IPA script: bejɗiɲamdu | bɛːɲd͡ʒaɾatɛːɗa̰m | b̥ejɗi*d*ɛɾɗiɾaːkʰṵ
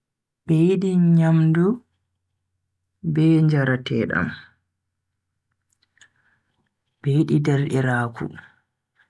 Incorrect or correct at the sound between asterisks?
correct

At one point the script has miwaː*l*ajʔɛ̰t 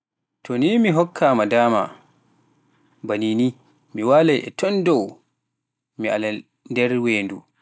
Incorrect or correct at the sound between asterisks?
correct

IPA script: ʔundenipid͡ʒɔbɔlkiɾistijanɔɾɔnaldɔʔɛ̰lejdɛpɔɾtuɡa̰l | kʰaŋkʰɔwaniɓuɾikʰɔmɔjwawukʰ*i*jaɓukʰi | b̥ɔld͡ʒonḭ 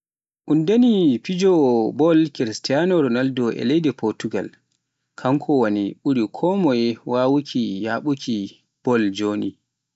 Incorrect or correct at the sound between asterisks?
correct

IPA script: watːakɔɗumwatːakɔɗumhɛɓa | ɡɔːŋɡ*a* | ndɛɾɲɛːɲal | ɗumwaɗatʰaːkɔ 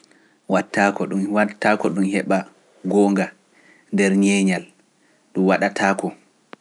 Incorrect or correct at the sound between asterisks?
correct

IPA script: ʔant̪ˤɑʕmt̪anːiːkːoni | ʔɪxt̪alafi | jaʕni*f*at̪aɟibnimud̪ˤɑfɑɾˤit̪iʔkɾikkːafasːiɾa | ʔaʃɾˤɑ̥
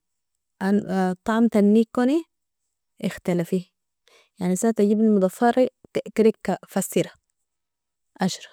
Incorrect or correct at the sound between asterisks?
incorrect: s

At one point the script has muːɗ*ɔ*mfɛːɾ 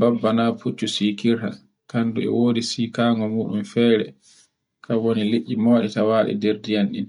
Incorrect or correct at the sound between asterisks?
incorrect: u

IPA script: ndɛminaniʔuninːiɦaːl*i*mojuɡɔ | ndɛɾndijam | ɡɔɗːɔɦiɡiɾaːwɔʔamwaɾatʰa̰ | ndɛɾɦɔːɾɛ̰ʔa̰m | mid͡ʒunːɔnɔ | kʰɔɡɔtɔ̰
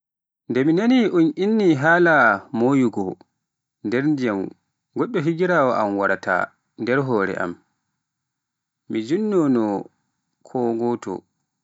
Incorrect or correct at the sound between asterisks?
incorrect: a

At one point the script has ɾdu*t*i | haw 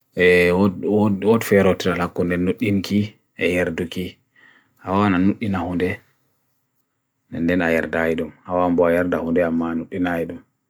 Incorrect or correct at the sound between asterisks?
incorrect: k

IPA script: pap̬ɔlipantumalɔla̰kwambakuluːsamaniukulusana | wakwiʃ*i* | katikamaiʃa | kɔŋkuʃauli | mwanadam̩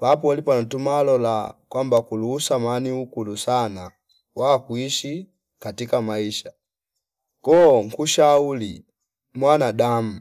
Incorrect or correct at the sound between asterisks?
correct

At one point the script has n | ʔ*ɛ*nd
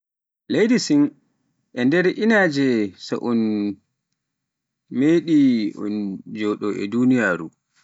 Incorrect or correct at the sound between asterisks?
correct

